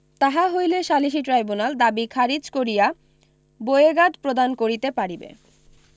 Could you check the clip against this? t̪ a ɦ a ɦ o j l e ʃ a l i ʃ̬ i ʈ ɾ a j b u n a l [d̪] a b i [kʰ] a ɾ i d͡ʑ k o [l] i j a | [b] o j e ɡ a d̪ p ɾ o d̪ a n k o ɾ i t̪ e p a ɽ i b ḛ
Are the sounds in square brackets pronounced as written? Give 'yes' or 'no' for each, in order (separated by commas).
yes, yes, no, yes